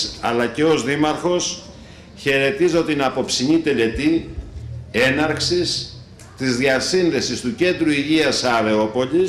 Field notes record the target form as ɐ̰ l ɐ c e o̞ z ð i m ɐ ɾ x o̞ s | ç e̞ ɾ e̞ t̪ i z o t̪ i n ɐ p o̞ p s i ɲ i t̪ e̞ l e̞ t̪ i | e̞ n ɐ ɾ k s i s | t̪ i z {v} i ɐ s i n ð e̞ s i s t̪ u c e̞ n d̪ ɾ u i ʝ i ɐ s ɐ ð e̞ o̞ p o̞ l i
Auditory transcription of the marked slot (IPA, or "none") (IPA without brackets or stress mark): ð